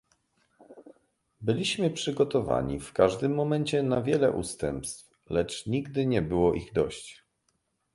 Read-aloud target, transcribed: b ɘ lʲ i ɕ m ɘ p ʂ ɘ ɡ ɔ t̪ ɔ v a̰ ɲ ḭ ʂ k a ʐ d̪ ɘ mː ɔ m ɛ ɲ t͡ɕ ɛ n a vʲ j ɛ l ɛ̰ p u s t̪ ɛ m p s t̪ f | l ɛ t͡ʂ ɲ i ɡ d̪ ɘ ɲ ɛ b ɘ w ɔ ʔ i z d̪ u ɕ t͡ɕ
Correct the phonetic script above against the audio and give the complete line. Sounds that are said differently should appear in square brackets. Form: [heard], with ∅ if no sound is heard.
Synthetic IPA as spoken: b ɘ lʲ i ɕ m ɘ p ʂ ɘ ɡ ɔ t̪ ɔ v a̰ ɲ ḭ [f] k a ʐ d̪ ɘ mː ɔ m ɛ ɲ t͡ɕ ɛ n a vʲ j ɛ l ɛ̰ [ʔ] u s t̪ ɛ m p s t̪ f | l ɛ t͡ʂ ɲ i ɡ d̪ ɘ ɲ ɛ b ɘ w ɔ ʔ i [ɣ] d̪ [ɔ] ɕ t͡ɕ